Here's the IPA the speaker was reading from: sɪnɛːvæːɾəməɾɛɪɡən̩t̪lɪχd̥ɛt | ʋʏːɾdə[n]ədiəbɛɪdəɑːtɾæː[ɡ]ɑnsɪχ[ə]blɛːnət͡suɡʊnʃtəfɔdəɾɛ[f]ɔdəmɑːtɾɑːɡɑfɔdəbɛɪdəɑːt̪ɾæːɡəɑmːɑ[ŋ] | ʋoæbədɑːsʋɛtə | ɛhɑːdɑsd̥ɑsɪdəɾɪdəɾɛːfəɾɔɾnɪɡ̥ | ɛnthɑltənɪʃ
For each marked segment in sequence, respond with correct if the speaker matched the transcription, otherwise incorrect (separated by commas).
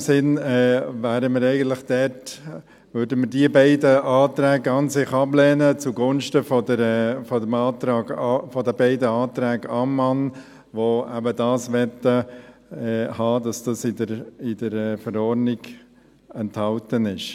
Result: incorrect, correct, incorrect, correct, incorrect